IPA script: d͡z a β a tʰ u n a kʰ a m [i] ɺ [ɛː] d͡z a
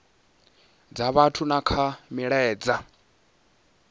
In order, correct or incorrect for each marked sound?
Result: correct, correct

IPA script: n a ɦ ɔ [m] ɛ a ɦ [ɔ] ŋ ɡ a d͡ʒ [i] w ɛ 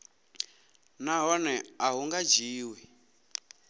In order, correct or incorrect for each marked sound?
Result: incorrect: n, incorrect: u, incorrect: iː

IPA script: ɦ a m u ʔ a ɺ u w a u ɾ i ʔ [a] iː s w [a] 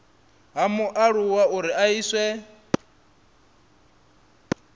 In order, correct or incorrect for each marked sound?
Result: correct, incorrect: ɛ

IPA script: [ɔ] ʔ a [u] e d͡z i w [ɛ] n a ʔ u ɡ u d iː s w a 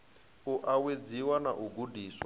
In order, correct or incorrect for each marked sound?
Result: incorrect: u, incorrect: w, incorrect: a

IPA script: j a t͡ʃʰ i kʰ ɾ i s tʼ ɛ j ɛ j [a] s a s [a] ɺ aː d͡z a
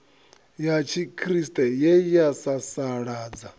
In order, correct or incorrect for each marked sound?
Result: correct, correct

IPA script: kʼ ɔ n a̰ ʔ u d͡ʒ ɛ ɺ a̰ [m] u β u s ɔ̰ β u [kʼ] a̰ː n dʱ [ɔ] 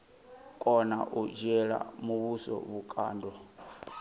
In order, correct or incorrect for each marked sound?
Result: correct, correct, correct

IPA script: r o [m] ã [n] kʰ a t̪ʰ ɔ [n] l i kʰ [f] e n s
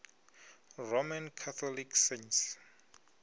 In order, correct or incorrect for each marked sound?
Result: correct, correct, incorrect: none, incorrect: s

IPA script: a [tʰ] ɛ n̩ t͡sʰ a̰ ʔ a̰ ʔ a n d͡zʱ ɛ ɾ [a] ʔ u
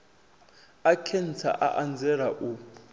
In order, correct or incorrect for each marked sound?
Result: incorrect: kʰ, correct

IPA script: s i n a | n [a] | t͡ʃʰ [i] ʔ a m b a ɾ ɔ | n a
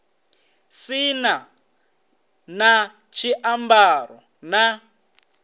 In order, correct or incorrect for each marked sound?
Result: correct, correct

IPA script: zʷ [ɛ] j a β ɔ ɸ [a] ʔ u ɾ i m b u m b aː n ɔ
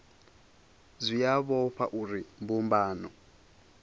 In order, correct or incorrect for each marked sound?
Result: incorrect: i, correct

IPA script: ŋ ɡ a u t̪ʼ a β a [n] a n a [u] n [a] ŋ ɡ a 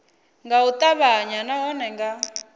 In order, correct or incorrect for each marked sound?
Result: incorrect: ɲ, incorrect: ɔ, incorrect: ɛ

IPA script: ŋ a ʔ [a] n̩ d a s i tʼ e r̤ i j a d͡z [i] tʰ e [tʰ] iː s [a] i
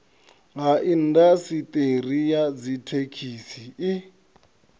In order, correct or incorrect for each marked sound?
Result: incorrect: i, correct, incorrect: kʰ, incorrect: i

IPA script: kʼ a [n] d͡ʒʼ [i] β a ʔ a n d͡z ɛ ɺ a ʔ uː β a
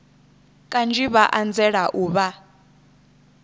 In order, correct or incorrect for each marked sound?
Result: correct, correct

